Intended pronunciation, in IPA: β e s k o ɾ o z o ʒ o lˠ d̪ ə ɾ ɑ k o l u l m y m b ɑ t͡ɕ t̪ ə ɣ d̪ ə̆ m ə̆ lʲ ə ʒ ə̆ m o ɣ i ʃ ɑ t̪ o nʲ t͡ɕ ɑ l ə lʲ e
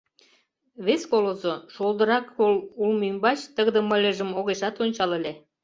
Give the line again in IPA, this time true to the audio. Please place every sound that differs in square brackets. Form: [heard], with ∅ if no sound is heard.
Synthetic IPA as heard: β e s k o [l] o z o [ʃ] o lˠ d̪ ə ɾ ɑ k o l u l m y m b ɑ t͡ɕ t̪ ə ɣ d̪ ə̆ m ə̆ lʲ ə ʒ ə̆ m o ɣ [e] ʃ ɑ t̪ o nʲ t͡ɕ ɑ l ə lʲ e